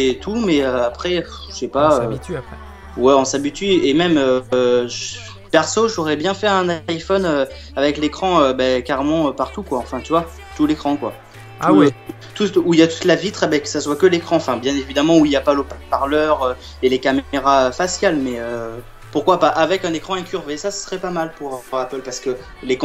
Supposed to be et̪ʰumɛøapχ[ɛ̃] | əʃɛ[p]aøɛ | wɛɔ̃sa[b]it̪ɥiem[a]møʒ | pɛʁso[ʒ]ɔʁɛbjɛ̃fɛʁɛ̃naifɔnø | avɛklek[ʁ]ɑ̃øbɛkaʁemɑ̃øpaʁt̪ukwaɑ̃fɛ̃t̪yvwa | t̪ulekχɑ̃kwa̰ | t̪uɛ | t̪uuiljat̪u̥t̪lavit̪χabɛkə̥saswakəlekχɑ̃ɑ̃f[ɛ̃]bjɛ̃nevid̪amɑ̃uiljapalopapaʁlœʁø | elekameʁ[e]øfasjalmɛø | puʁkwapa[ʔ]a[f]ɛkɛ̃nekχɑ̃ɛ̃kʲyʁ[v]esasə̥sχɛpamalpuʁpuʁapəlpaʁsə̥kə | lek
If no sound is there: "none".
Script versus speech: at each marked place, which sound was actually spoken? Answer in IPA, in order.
ɛ, p, b, ɛ, ʒ, χ, ɛ̃, a, ʔ, v, v

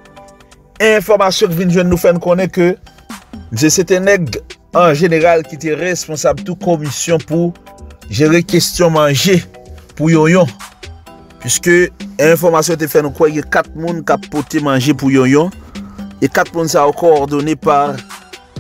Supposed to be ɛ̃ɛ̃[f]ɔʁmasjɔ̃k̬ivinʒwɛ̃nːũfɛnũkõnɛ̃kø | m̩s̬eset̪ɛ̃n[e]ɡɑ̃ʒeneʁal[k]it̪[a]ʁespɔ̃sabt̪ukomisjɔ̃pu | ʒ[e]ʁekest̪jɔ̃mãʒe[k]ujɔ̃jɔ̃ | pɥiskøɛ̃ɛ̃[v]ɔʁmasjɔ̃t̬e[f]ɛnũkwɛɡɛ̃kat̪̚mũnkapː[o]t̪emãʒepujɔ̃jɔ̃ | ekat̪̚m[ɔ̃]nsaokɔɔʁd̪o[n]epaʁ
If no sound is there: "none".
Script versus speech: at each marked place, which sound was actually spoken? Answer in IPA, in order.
f, ɛ, k, e, e, p, f, f, o, ũ, n

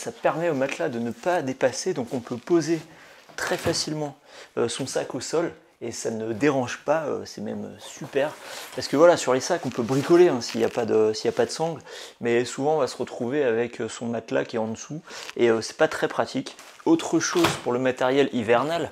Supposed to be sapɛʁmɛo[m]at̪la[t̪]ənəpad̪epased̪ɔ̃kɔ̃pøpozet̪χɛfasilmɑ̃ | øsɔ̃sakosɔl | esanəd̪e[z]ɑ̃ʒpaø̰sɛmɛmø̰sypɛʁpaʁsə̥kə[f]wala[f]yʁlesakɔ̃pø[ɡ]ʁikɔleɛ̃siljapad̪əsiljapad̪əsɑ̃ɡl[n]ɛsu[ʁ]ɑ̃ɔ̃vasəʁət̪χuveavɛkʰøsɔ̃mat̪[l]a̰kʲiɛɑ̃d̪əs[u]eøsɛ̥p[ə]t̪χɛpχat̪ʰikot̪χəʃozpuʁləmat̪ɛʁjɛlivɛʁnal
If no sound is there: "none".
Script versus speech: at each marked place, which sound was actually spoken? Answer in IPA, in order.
m, d̪, ʁ, v, s, b, m, v, l, u, a

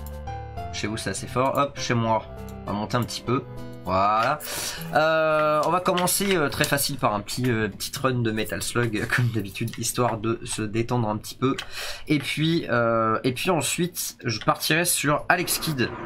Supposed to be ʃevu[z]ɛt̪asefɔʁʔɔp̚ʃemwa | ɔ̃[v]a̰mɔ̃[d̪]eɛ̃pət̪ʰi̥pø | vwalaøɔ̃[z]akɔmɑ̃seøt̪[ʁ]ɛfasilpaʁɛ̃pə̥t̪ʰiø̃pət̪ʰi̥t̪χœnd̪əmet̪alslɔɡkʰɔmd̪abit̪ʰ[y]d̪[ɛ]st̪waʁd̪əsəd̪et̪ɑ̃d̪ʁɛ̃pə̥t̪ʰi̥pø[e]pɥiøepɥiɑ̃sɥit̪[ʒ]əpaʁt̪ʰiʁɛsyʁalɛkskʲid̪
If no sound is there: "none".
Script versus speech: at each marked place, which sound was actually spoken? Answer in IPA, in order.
s, v, t̪, v, χ, y, i, e, ʒ

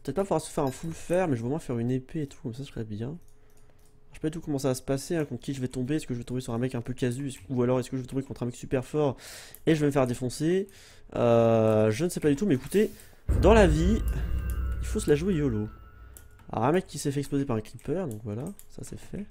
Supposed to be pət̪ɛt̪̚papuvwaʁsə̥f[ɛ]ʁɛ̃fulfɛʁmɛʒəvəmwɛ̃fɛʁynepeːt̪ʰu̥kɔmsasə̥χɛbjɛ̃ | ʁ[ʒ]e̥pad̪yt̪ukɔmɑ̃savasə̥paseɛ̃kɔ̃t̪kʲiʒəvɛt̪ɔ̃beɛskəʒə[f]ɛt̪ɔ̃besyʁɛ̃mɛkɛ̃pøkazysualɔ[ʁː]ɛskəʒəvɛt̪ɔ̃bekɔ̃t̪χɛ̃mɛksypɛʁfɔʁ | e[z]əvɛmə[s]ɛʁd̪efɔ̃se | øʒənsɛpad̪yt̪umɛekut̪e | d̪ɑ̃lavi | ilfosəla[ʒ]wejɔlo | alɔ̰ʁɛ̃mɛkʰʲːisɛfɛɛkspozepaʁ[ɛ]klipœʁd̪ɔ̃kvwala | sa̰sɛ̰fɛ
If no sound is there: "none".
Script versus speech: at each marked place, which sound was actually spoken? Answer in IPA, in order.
ɛ, ʃ, v, ʁ, ʒ, f, ʒ, ɛ̃

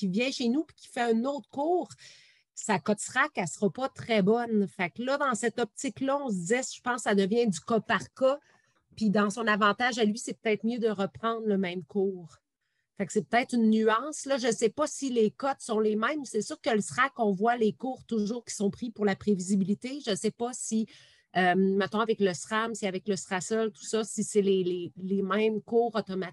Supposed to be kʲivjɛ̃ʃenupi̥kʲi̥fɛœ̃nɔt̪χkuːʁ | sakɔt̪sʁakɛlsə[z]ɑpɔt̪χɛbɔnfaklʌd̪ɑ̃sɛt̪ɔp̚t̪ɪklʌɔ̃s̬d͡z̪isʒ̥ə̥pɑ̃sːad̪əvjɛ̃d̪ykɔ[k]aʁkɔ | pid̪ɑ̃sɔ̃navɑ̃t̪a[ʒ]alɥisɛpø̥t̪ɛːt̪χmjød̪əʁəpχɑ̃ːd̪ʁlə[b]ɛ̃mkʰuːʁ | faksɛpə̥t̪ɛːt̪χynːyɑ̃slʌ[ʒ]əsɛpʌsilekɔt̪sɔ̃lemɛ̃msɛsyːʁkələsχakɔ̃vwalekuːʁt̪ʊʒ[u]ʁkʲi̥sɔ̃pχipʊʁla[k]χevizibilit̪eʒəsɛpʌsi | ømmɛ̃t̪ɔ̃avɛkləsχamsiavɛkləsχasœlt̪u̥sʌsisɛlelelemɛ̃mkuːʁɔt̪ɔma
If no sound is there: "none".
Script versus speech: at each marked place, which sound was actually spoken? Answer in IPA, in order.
ʁ, p, ʒ, m, ʒ, uː, p

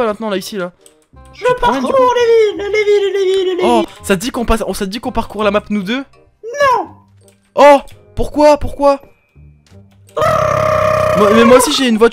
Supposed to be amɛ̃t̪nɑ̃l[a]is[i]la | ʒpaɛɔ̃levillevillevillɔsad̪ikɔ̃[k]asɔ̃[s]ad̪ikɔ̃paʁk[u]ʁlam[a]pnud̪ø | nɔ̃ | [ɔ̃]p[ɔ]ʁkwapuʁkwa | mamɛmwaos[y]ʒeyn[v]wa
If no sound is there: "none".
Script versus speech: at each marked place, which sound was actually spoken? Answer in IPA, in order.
a, i, p, s, u, a, ɔ, u, i, v

